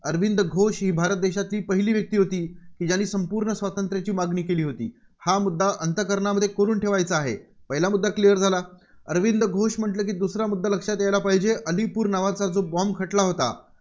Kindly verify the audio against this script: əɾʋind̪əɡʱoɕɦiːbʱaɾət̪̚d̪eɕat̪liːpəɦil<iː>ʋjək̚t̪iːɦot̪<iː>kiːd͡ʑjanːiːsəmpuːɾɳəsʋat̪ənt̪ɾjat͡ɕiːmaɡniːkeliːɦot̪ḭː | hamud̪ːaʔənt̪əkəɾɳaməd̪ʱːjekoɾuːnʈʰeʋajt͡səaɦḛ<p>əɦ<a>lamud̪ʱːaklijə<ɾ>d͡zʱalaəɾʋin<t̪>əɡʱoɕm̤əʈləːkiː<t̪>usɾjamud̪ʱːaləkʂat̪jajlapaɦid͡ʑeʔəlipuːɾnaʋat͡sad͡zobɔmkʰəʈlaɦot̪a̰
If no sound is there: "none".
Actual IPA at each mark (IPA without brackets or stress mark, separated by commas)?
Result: iː, iː, p, i, ɾ, d̪, d̪